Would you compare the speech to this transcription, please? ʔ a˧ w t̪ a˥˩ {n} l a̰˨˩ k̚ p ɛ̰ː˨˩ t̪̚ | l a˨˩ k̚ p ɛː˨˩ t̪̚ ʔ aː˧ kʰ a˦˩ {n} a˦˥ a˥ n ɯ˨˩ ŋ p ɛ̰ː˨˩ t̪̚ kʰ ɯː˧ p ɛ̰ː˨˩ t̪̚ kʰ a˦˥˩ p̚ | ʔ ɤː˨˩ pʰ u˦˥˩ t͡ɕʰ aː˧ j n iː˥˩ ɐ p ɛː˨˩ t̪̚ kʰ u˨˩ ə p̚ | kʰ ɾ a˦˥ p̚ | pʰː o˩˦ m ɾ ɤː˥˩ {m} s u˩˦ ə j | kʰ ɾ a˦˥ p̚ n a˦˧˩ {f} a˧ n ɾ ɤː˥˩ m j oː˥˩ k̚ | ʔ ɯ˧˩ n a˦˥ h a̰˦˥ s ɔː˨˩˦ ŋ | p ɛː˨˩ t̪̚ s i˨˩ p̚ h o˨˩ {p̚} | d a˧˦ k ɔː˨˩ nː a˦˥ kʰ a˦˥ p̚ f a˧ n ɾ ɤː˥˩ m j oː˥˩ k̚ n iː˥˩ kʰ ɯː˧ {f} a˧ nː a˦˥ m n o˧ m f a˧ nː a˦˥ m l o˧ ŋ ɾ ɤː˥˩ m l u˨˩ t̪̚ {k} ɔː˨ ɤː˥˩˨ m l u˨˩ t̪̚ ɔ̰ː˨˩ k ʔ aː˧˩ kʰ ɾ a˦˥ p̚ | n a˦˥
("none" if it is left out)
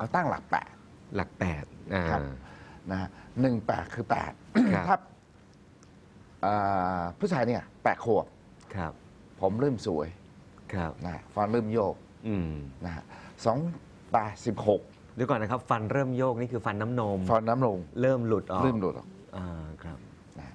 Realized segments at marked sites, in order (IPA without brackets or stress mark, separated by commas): ŋ, n, m, f, k̚, f, ʔ